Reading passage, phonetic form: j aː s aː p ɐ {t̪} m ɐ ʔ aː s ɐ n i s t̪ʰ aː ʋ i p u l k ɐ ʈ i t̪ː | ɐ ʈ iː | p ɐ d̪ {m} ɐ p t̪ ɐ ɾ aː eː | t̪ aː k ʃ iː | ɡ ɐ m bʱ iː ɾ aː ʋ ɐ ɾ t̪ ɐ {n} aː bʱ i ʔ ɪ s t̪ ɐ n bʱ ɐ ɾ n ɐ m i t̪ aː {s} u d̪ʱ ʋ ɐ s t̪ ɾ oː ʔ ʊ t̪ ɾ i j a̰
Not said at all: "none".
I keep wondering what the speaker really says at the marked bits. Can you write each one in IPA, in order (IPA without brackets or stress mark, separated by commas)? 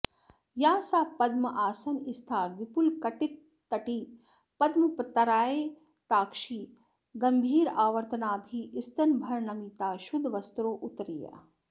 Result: d̪, m, n, ʃ